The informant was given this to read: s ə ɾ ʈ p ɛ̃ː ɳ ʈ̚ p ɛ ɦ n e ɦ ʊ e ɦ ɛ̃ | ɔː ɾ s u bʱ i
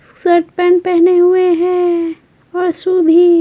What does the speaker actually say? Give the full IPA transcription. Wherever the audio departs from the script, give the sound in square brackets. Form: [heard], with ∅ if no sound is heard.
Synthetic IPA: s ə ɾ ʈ p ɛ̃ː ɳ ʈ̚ p ɛ ɦ n e ɦ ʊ e ɦ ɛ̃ | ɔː ɾ s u bʱ i

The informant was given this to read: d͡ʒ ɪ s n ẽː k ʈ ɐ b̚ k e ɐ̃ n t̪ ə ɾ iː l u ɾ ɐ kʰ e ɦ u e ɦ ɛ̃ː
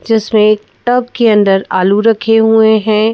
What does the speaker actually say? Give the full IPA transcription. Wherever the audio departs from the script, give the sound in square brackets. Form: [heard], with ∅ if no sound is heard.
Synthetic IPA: d͡ʒ ɪ s [m] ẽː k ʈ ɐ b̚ k e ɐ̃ n [d̪] ə ɾ [aː] l u ɾ ɐ kʰ e ɦ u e ɦ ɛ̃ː

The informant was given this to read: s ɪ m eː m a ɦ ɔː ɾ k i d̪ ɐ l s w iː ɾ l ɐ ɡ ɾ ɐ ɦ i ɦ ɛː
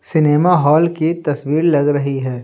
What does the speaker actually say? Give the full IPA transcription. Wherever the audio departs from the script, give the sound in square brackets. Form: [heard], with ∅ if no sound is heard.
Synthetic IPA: s ɪ [n] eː m a ɦ ɔː [l] k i [t̪] ɐ [∅] s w iː ɾ l ɐ ɡ ɾ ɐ ɦ i ɦ ɛː

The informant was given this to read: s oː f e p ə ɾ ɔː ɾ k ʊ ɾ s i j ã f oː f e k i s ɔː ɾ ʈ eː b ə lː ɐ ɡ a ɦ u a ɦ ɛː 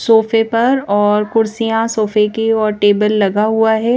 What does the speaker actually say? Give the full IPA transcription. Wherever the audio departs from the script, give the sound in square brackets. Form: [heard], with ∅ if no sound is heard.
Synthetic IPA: s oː f e p [ɐ] ɾ ɔː ɾ k ʊ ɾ s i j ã [s] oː f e k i [∅] ɔː ɾ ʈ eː b ə lː ɐ ɡ a ɦ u a ɦ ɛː

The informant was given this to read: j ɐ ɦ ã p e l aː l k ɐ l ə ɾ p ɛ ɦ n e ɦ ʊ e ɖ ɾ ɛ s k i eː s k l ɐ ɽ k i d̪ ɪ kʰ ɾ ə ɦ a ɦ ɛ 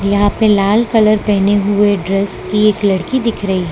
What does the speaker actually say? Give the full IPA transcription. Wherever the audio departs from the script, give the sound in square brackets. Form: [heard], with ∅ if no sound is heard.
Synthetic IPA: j ɐ ɦ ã p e l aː l k ɐ l ə ɾ p ɛ ɦ n e ɦ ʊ e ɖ ɾ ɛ s k i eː [∅] k l ɐ ɽ k i d̪ ɪ kʰ ɾ [ɐ] ɦ [i] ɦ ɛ

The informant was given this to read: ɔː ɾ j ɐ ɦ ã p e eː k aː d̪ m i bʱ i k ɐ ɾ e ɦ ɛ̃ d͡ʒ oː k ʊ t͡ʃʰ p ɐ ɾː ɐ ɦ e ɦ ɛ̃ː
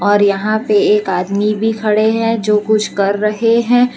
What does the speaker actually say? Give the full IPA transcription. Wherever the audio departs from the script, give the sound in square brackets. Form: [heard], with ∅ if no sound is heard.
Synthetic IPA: ɔː ɾ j ɐ ɦ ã p e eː k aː d̪ m i bʱ i [kʰ] ɐ [ɽ] e ɦ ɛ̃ d͡ʒ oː k ʊ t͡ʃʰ [k] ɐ ɾː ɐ ɦ e ɦ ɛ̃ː

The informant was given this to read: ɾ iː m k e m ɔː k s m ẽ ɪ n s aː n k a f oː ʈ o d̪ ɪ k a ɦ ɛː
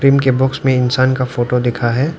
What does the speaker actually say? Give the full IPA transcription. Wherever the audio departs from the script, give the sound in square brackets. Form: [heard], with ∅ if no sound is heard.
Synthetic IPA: ɾ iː m k e [b] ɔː k s m ẽ ɪ n s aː n k a f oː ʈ o d̪ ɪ [kʰ] a ɦ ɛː

